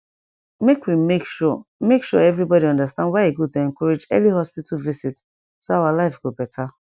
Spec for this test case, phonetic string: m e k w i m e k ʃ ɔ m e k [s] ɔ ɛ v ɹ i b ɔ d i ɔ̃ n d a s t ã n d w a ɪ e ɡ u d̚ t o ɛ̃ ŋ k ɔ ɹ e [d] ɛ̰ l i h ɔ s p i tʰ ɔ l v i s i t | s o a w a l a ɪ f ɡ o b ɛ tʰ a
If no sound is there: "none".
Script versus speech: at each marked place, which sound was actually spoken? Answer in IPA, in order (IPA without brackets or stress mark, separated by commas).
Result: ʃ, d͡ʒ